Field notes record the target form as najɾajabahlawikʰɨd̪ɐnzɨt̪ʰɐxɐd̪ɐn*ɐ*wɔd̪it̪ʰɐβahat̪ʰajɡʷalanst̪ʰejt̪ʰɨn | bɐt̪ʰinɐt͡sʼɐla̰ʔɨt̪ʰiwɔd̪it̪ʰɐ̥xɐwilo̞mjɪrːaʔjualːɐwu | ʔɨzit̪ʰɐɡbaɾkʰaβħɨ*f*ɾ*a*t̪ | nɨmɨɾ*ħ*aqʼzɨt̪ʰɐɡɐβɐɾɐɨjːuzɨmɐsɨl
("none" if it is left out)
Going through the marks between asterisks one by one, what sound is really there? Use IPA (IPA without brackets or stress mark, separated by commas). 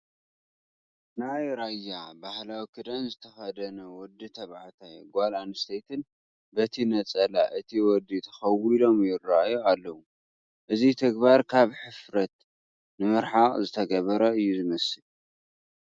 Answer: ɐ, f, ɐ, ħ